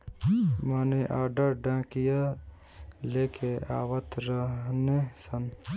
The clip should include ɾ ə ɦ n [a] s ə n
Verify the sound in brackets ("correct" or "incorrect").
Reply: incorrect